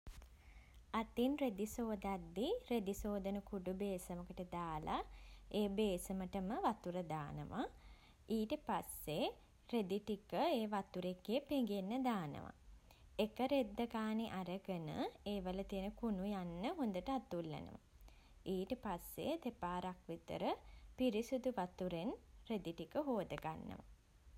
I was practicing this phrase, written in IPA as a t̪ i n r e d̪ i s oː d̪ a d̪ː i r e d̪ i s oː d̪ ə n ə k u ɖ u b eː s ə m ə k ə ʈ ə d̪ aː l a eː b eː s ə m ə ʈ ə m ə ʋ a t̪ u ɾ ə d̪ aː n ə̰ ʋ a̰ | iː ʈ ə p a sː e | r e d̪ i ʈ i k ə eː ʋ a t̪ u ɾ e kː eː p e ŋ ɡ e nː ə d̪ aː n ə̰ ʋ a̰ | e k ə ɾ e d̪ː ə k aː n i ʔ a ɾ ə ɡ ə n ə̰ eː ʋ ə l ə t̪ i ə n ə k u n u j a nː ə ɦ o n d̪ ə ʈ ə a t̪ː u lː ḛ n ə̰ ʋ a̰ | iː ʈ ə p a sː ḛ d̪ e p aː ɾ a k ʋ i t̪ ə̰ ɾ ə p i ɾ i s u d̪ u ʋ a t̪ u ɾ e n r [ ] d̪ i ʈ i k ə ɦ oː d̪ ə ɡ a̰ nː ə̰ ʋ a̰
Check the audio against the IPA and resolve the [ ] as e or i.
e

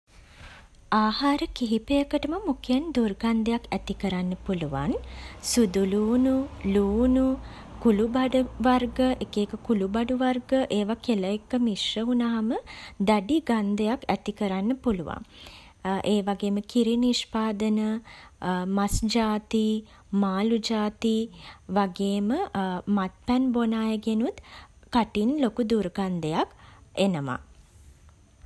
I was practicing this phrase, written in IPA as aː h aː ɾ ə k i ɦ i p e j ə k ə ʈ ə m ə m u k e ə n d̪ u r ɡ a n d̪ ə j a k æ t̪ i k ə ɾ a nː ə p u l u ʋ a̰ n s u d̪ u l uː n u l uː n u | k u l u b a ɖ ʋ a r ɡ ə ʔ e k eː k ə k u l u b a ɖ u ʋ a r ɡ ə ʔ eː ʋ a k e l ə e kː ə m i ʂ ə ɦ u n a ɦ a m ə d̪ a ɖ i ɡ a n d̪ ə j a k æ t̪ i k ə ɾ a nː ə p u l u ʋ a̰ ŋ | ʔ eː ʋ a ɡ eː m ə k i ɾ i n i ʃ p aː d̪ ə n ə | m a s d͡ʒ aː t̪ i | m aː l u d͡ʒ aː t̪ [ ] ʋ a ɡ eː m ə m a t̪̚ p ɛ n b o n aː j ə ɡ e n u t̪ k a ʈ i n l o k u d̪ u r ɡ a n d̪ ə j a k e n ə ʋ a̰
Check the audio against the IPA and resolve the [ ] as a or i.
i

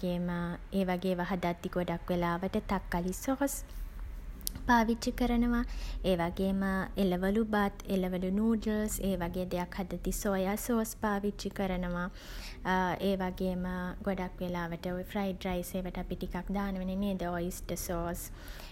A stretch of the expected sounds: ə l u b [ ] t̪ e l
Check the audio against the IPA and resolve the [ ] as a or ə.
a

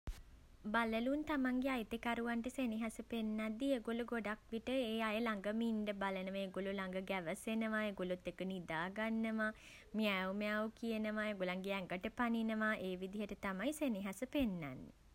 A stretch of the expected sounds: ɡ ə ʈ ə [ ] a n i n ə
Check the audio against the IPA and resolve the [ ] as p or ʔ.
p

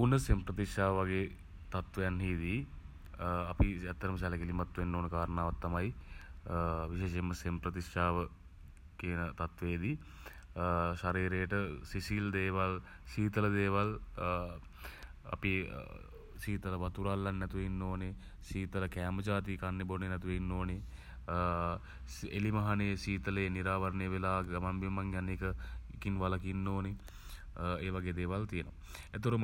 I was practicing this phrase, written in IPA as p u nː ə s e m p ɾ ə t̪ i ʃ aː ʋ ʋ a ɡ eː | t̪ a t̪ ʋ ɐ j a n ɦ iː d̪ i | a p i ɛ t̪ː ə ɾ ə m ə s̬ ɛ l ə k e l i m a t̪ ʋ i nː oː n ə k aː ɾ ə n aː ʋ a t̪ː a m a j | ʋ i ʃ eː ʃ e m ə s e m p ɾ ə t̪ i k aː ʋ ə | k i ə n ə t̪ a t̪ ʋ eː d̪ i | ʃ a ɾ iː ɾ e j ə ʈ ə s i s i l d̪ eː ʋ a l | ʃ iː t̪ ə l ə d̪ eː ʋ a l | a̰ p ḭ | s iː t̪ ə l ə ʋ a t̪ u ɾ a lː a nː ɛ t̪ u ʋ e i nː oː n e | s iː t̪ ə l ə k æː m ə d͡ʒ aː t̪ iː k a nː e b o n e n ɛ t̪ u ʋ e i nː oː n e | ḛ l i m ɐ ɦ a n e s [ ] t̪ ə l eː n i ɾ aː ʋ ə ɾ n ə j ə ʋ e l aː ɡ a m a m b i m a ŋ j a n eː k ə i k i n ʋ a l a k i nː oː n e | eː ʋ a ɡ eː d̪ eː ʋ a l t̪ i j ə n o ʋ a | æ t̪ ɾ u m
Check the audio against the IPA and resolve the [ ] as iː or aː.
iː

